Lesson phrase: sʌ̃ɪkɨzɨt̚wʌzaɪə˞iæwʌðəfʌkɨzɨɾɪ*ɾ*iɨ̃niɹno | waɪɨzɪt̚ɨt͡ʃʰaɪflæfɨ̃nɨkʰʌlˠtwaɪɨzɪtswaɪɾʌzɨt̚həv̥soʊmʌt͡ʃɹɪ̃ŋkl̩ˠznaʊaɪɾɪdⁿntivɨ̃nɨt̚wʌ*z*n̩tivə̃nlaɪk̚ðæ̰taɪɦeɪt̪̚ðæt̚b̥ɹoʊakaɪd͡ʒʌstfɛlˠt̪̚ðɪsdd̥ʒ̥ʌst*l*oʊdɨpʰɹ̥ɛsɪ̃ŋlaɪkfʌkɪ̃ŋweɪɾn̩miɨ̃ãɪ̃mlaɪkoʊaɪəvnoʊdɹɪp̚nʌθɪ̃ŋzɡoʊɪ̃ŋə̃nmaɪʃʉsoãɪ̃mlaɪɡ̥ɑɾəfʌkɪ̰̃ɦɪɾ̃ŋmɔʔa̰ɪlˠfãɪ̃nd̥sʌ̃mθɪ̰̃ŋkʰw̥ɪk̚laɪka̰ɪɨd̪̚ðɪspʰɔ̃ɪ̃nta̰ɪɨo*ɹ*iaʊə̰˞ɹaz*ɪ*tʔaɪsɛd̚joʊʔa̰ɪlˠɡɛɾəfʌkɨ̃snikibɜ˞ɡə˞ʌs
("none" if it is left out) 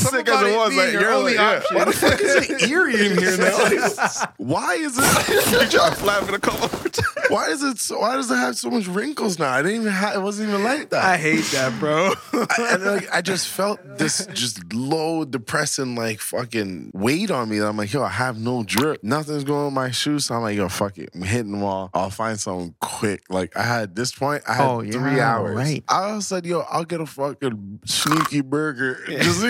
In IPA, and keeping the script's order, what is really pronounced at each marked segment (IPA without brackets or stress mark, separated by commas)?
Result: ɹ, z, l, ɹ, ɪ